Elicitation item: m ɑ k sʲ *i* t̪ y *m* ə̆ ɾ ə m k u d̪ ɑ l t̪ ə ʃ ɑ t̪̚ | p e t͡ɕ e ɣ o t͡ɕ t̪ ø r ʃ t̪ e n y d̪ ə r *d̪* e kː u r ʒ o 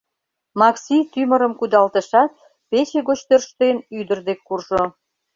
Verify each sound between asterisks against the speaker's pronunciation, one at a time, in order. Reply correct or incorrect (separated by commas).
correct, correct, correct